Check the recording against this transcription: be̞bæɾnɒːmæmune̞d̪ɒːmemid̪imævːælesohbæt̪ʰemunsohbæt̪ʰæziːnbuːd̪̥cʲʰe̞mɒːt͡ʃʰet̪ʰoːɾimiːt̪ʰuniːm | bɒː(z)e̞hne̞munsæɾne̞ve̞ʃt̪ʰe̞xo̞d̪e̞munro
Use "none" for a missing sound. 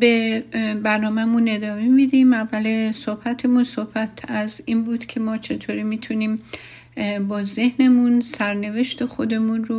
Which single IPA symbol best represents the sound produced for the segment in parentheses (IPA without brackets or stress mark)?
z